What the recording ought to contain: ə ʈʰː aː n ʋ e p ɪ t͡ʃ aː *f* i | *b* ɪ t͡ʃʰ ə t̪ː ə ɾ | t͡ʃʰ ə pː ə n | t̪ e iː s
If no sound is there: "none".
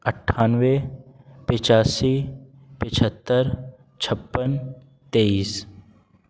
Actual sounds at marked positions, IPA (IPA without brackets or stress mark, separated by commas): s, p